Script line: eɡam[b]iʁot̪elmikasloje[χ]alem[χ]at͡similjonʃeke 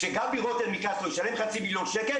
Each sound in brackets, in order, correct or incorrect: correct, incorrect, correct

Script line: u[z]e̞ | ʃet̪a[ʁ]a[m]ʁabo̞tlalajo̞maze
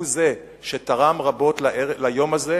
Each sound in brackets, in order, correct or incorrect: correct, correct, correct

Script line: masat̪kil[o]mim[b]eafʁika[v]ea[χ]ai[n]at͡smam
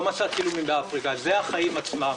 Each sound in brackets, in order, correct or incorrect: incorrect, correct, incorrect, correct, incorrect

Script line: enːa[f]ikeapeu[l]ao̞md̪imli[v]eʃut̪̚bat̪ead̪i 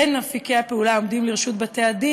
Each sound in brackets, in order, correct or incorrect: correct, correct, incorrect

